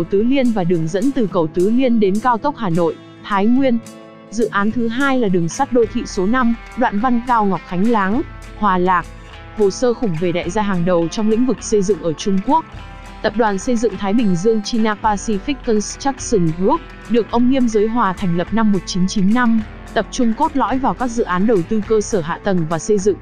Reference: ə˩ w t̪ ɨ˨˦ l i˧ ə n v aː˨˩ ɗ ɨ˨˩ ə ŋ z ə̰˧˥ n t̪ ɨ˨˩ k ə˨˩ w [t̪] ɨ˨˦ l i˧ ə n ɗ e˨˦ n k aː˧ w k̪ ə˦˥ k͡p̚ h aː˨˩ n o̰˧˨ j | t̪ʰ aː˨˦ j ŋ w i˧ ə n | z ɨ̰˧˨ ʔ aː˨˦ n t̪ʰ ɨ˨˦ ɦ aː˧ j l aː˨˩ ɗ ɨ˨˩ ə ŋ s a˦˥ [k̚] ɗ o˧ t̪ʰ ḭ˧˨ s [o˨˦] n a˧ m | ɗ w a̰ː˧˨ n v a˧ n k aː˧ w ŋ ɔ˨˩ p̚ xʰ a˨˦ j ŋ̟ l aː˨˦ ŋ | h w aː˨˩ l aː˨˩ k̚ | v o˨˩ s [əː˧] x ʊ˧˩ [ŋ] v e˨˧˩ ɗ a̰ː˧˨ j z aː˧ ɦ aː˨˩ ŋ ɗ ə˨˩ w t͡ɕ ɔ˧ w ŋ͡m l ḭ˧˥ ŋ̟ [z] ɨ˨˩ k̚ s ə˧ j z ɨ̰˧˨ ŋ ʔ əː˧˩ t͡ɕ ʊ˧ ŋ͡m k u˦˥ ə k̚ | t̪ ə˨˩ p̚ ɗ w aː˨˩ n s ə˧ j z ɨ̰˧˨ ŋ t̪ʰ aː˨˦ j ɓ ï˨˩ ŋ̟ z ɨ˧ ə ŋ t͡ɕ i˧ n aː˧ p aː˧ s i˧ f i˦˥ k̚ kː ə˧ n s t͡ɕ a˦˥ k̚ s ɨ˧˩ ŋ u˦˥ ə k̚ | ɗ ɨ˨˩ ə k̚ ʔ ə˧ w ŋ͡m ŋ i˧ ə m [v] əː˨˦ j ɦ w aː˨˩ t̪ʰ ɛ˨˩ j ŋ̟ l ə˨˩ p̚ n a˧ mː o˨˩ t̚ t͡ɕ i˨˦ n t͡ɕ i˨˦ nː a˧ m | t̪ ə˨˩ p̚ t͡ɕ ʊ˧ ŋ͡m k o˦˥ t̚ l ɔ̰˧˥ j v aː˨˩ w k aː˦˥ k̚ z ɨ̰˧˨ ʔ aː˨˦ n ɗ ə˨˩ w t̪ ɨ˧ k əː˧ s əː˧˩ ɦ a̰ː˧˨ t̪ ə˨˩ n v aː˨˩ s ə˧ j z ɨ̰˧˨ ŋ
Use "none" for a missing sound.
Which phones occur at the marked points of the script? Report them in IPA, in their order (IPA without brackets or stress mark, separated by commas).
t̪, t̚, o˨˦, əː˧, ŋ͡m, v, z